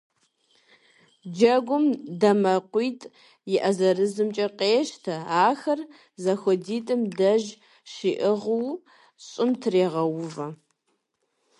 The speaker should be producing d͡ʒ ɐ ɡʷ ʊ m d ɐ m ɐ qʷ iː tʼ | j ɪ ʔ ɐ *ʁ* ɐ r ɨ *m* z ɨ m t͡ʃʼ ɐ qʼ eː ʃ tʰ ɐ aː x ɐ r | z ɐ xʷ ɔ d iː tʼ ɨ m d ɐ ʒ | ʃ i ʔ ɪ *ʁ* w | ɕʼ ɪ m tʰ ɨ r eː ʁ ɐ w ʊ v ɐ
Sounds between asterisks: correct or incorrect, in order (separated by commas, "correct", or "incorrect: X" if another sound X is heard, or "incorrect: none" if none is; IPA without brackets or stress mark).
incorrect: z, incorrect: none, correct